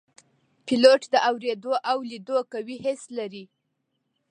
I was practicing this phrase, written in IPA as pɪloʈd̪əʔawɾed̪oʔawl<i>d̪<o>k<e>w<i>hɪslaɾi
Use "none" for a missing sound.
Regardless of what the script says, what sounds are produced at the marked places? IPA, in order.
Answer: i, o, a, i

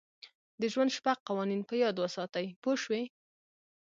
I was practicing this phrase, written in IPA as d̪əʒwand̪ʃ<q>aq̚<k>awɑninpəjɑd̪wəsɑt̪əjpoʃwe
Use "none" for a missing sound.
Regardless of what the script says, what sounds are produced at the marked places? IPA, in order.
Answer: p, q

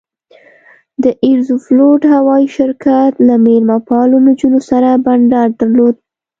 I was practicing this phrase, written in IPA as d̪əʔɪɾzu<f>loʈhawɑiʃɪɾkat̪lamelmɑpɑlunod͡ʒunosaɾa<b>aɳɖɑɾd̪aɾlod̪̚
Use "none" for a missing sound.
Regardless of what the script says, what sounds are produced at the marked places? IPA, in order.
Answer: f, b

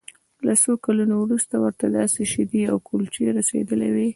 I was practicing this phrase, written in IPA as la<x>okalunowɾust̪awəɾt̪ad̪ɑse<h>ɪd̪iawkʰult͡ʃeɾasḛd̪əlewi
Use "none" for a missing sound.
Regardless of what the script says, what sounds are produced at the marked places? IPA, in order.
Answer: s, ʃ

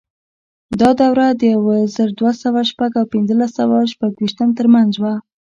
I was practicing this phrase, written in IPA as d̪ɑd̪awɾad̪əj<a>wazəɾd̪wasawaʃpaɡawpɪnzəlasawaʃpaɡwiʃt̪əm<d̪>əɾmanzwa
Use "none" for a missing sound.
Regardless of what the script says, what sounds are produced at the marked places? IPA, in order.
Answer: a, t̪

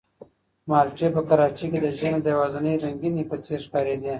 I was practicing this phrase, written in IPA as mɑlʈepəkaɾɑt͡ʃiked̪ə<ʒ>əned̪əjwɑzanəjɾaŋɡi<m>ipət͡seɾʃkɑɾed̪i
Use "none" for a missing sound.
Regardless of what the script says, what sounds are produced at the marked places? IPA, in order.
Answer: ʒ, n

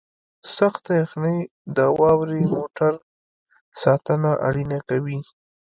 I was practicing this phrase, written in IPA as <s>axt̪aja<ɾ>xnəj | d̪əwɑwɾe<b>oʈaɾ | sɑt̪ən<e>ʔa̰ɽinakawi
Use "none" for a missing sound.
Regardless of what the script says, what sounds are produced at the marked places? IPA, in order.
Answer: s, none, m, a

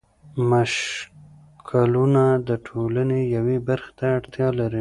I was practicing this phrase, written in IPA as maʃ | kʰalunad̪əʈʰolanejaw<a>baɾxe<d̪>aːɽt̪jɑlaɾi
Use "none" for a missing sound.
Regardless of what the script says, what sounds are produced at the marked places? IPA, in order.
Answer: e, t̪

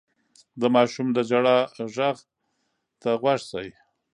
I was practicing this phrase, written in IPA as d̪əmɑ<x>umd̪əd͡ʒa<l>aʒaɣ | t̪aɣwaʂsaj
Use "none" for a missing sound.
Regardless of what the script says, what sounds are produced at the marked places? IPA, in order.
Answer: ʃ, ɽ

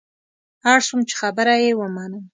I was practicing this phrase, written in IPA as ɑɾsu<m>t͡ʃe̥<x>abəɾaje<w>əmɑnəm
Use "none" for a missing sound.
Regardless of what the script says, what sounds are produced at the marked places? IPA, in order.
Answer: m, x, w

